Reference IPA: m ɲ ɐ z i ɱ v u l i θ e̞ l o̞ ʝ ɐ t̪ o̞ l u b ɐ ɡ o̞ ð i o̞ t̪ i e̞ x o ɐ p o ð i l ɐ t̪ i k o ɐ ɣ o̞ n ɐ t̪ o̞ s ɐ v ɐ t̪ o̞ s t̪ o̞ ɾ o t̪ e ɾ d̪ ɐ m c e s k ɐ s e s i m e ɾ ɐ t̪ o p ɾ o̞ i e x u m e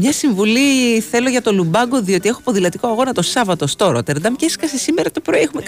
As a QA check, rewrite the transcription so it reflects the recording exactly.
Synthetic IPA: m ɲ ɐ s i ɱ v u l i θ e̞ l o̞ ʝ ɐ t̪ o̞ l u b ɐ ɡ o̞ ð i o̞ t̪ i e̞ x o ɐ p o ð i l ɐ t̪ i k o ɐ ɣ o̞ n ɐ t̪ o̞ s ɐ v ɐ t̪ o̞ s t̪ o̞ ɾ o t̪ e ɾ d̪ ɐ m c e s k ɐ s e s i m e ɾ ɐ t̪ o p ɾ o̞ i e x u m e